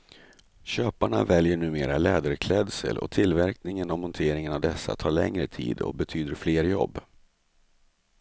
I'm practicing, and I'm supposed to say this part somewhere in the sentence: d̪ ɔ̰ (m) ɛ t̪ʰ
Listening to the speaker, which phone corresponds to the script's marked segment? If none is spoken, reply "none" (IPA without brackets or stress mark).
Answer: b